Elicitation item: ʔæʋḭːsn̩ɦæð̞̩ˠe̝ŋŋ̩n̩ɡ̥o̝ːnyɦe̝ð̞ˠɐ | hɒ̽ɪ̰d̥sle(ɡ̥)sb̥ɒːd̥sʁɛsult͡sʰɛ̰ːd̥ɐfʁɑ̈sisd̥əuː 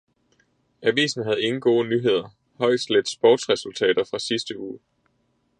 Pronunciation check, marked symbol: incorrect: d̥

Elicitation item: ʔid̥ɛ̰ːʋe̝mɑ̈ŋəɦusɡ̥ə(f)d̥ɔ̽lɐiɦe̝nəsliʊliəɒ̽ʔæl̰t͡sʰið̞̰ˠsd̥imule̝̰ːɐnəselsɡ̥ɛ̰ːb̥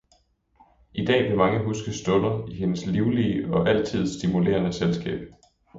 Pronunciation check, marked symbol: incorrect: s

